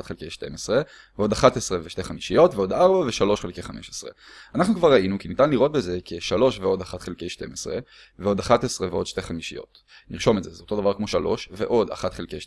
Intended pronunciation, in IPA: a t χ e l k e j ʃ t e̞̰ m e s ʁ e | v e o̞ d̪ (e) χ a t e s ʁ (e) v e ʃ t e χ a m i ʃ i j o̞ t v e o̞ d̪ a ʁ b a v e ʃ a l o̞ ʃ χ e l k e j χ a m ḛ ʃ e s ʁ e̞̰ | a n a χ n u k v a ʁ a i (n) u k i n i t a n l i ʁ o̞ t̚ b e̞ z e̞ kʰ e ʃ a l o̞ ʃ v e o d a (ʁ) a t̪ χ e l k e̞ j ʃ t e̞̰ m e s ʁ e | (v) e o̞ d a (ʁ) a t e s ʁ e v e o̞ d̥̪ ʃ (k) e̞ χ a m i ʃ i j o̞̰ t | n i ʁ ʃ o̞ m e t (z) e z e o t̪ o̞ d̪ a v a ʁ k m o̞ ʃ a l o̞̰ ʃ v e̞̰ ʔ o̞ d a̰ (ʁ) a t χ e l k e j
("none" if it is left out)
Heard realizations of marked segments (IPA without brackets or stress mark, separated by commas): a, e, n, χ, v, χ, t, z, χ